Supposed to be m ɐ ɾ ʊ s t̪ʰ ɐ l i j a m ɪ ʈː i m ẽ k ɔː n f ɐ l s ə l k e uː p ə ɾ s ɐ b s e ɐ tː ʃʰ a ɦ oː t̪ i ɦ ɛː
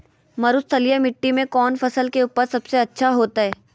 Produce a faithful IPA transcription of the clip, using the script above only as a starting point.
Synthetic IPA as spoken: m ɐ ɾ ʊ s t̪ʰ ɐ l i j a m ɪ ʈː i m ẽ k ɔː n f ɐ s ə l k e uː p ə ɾ s ɐ b s e ɐ tː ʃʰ a ɦ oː t̪ a ɦ ɛː